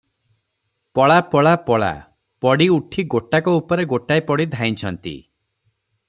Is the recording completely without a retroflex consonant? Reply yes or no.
no